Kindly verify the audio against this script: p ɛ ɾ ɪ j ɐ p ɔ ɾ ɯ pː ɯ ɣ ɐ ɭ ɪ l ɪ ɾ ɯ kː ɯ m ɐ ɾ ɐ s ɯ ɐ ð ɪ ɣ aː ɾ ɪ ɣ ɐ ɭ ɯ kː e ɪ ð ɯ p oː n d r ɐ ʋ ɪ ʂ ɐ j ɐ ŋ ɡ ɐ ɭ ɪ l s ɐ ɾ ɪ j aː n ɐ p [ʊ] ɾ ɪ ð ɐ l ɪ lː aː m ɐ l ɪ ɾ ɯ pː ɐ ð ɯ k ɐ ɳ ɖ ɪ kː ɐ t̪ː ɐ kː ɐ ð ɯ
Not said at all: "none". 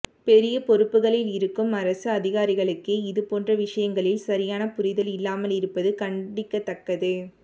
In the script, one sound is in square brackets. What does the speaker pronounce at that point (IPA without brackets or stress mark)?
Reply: ʊ